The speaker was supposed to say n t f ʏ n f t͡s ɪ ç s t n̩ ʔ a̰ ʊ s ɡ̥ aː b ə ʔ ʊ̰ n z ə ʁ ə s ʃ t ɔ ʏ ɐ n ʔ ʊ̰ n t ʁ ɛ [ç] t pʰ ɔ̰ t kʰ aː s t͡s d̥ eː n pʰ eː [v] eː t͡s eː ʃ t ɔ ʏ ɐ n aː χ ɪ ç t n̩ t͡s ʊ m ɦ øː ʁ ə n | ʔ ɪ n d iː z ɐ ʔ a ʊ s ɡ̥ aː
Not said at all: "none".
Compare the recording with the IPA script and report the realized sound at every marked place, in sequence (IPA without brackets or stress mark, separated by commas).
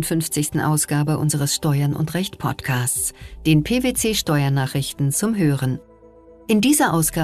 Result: ç, v